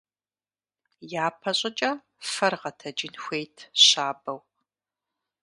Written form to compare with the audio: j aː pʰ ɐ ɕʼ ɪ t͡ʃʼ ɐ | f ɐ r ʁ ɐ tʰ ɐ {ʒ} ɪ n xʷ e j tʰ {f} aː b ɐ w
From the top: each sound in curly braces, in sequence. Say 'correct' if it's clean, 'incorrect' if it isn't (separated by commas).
incorrect, incorrect